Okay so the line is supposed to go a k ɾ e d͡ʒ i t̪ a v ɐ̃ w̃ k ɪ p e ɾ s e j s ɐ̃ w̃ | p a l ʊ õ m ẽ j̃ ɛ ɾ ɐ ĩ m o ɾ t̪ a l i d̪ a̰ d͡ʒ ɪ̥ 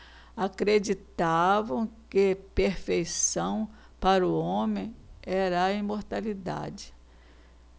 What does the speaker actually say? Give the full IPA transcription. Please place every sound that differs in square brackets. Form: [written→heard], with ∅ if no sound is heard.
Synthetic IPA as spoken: a k ɾ e d͡ʒ i t̪ a v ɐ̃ w̃ k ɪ p e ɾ [s→f] e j s ɐ̃ w̃ | p a [l→ɾ] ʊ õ m ẽ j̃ ɛ ɾ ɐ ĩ m o ɾ t̪ a l i d̪ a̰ d͡ʒ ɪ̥